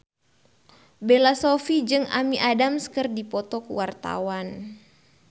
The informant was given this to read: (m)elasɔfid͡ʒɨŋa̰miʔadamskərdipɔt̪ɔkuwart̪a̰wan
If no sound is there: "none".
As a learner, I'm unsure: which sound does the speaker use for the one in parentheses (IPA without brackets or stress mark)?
b